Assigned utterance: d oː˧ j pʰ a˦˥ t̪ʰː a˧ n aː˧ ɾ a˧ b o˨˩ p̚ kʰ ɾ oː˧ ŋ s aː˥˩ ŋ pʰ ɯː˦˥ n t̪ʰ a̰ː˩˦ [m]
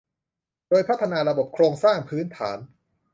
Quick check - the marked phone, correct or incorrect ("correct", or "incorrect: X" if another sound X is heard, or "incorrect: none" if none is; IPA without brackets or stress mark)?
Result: incorrect: n